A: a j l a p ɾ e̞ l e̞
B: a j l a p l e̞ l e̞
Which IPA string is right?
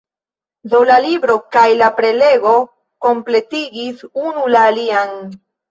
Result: A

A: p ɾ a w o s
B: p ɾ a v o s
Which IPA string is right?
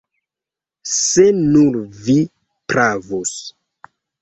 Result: B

